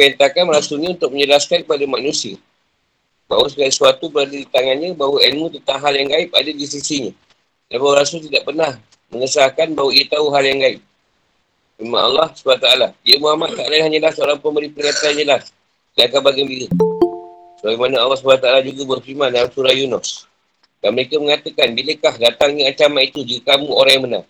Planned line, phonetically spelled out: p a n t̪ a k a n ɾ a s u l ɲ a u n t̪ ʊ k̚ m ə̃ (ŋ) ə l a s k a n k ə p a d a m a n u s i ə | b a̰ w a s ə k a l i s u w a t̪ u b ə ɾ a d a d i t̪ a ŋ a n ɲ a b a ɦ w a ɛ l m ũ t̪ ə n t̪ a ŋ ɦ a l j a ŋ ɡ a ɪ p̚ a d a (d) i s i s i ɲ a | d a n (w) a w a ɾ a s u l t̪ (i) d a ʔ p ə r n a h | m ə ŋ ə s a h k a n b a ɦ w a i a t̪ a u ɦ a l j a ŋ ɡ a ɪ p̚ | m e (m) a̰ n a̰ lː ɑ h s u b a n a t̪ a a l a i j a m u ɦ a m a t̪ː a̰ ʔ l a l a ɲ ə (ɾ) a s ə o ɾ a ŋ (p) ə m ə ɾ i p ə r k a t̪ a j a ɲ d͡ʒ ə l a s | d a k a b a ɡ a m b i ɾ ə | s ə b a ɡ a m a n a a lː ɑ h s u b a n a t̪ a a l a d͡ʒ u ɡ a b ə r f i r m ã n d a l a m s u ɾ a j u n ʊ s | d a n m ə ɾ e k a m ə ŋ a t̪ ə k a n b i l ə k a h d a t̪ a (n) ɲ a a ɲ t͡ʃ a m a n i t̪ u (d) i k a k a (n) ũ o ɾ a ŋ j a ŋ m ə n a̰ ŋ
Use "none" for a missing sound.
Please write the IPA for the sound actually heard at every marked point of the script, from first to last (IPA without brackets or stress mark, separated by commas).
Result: ɲ, d, b, i, m, l, p, ŋ, d͡ʒ, m